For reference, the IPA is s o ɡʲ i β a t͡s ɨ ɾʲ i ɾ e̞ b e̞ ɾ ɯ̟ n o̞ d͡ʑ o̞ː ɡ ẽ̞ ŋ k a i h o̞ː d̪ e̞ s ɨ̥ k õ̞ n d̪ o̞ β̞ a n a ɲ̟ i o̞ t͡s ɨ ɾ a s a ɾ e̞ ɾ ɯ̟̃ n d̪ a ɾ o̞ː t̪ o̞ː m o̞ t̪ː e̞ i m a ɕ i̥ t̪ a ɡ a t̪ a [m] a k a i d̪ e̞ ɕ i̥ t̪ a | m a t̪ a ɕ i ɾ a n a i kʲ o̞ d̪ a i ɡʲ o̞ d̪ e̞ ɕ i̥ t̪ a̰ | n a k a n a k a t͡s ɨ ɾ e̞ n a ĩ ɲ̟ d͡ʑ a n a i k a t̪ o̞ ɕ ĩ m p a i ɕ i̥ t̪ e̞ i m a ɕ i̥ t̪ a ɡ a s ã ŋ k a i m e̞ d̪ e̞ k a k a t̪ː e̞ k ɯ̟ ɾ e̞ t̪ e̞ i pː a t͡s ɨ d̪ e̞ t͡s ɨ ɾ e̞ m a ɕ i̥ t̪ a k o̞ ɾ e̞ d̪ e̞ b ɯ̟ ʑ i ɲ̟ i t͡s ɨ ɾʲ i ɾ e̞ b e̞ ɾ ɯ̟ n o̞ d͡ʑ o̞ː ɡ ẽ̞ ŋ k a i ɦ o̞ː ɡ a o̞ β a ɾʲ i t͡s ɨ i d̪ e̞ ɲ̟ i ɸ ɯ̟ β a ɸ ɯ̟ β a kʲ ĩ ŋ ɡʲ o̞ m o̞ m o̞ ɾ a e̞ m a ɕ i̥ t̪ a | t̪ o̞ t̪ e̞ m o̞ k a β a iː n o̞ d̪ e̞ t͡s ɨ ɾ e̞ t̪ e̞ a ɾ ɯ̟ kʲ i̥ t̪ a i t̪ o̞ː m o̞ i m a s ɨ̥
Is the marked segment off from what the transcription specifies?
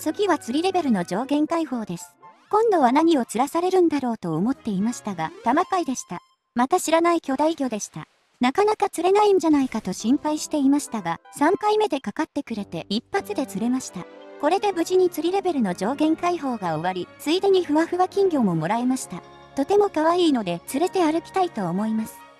no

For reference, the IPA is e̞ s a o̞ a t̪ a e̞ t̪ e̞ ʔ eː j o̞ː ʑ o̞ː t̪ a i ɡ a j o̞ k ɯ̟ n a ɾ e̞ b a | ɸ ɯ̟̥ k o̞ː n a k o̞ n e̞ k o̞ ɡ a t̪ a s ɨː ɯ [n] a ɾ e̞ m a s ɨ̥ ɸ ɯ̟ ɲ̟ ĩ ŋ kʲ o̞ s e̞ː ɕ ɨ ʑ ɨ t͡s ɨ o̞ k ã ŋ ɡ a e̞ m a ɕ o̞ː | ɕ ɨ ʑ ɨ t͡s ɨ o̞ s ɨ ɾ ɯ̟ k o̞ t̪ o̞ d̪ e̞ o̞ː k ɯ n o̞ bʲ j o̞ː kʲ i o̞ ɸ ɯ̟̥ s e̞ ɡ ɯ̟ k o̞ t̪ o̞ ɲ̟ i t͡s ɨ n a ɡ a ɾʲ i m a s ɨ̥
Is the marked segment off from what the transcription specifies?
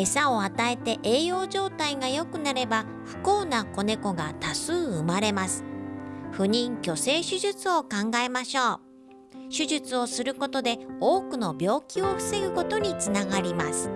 yes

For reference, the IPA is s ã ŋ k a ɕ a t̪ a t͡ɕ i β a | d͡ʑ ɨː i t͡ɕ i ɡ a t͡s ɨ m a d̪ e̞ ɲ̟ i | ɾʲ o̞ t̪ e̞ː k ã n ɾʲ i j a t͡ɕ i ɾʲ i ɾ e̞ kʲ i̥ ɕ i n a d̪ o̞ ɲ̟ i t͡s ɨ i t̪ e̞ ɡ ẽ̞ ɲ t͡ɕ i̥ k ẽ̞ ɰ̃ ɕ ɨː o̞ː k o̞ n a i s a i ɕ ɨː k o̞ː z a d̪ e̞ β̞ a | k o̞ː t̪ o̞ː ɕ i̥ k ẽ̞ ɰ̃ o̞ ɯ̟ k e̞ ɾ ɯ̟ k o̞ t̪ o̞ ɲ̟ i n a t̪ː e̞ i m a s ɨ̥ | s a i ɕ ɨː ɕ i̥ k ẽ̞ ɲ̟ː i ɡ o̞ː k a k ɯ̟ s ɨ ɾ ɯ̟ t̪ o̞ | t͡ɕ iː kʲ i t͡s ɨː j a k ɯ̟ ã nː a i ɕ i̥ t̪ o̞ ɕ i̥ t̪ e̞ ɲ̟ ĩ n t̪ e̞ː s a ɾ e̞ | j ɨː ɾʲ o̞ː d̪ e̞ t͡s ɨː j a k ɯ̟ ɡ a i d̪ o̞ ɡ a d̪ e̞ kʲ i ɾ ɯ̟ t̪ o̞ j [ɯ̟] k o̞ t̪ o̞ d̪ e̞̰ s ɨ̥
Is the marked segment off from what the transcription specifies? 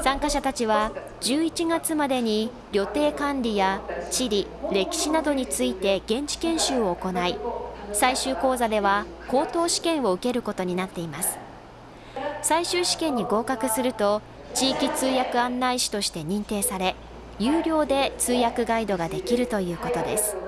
yes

